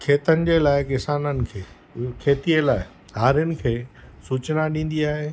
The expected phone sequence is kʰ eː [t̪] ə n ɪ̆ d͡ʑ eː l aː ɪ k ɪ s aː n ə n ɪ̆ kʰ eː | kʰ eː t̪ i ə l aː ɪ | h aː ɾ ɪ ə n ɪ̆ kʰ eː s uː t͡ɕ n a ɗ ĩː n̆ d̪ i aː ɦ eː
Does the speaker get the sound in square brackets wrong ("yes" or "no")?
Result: no